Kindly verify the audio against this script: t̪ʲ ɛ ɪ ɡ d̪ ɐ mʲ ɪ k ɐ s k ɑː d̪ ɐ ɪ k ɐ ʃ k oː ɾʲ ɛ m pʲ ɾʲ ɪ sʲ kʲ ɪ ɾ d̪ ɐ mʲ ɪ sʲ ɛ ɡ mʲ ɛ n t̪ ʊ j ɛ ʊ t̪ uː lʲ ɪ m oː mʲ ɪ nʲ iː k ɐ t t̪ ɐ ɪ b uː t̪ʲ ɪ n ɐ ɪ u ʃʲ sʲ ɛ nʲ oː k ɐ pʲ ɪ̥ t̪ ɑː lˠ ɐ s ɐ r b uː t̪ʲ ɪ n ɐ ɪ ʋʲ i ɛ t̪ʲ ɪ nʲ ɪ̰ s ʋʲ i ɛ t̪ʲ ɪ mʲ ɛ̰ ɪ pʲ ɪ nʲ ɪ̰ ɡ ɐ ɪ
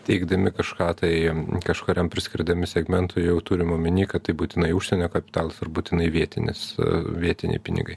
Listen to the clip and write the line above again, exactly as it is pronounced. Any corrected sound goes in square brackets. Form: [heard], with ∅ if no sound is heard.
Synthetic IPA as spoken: t̪ʲ ɛ ɪ ɡ d̪ ɐ mʲ ɪ k ɐ [ʃ] k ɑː [t̪] ɐ ɪ k ɐ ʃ k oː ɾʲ ɛ m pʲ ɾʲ ɪ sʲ kʲ ɪ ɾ d̪ ɐ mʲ ɪ sʲ ɛ ɡ mʲ ɛ n t̪ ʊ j ɛ ʊ t̪ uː [ɾʲ] ɪ m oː mʲ ɪ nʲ iː k ɐ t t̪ ɐ ɪ b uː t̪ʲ ɪ n ɐ ɪ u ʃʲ sʲ ɛ nʲ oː k ɐ pʲ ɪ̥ t̪ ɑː lˠ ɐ s ɐ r b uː t̪ʲ ɪ n ɐ ɪ ʋʲ i ɛ t̪ʲ ɪ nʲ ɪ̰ s ʋʲ i ɛ t̪ʲ ɪ [nʲ] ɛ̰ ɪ pʲ ɪ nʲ ɪ̰ ɡ ɐ ɪ